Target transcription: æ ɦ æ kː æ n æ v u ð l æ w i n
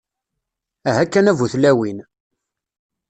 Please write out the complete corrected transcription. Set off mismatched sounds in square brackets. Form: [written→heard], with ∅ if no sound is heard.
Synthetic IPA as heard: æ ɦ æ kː æ n æ v u [ð→θ] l æ w i n